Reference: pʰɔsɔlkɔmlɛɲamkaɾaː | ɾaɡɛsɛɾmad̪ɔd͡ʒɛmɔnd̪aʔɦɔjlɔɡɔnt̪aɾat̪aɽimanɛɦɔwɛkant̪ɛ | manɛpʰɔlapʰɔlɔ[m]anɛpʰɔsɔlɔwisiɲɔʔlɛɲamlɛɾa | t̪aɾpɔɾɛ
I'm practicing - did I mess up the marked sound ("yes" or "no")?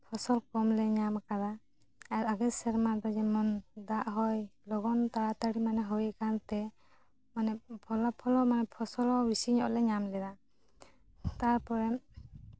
no